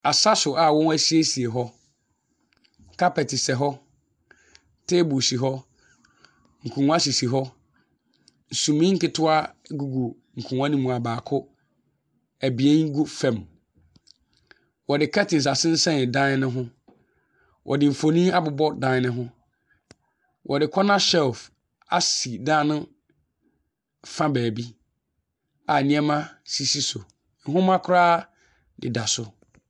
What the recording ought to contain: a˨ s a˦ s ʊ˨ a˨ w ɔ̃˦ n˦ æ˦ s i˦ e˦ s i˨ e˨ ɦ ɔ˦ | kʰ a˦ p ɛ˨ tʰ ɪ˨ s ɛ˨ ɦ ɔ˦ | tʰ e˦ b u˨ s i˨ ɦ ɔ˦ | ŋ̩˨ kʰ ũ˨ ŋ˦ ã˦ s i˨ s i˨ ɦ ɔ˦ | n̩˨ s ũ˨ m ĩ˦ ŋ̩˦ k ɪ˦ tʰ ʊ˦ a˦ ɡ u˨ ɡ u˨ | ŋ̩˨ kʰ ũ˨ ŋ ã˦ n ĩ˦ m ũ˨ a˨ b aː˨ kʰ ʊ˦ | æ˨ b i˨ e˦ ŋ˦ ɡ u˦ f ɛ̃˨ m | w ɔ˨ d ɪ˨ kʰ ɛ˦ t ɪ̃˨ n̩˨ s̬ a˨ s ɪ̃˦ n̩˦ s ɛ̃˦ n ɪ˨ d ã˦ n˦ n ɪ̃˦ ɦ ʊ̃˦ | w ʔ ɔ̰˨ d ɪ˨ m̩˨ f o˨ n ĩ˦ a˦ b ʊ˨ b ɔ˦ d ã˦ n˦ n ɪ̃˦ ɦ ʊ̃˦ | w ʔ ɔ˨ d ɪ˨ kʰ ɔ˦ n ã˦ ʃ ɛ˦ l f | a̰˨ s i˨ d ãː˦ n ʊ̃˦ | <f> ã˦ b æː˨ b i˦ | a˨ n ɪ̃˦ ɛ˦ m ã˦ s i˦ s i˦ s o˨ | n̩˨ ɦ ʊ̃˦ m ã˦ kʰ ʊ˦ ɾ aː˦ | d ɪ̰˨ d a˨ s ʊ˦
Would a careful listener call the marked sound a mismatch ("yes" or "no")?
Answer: no